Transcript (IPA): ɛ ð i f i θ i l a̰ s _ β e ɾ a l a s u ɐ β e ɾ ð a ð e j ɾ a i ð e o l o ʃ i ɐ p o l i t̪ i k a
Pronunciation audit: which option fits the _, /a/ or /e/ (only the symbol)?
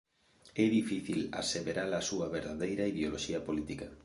e